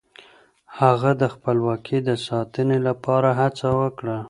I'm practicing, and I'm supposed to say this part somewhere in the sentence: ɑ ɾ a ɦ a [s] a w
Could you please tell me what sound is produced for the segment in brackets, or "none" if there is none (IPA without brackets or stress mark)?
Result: t͡s